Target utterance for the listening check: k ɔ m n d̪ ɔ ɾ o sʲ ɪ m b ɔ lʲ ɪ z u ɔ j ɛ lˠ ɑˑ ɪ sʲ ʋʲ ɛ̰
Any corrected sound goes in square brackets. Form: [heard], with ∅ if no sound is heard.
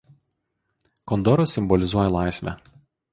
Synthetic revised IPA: k ɔ [∅] n d̪ ɔ ɾ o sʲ ɪ m b ɔ lʲ ɪ z u ɔ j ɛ lˠ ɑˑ ɪ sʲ ʋʲ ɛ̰